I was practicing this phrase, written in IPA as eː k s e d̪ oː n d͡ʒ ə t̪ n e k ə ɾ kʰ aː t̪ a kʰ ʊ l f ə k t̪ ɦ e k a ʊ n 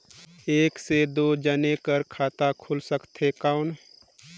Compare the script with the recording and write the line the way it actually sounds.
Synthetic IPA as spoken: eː k s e d̪ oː d͡ʒ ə n e k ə ɾ kʰ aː t̪ a kʰ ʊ l s ə k t̪ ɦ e k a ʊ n